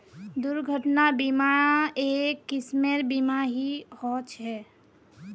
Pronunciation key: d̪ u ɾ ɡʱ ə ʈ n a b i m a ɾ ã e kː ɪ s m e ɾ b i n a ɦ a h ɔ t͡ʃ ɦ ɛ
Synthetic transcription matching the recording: d̪ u ɾ ɡʱ ə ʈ n a b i m a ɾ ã e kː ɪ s m e ɾ b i m a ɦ i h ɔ t͡ʃ ɦ ɛ